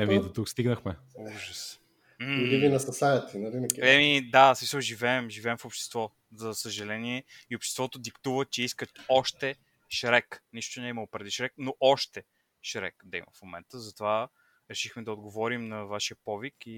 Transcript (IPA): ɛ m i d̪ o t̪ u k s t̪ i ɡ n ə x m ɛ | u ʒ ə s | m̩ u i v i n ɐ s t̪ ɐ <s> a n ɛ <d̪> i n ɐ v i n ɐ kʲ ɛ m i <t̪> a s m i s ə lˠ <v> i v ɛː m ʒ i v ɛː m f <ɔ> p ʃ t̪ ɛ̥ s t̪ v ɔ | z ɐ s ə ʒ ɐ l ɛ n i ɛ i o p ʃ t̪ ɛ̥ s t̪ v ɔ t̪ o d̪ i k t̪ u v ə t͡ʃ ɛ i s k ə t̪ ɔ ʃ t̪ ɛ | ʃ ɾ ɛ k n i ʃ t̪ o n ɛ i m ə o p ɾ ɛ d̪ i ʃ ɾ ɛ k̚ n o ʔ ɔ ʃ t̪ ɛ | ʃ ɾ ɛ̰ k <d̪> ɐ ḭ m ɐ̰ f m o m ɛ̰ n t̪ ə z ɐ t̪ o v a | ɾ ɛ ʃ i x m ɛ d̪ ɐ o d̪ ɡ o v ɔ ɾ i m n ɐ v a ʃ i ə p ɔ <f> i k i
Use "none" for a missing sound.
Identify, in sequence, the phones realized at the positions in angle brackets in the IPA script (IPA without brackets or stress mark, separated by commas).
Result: s, t̪, d̪, ʒ, o, d̪, v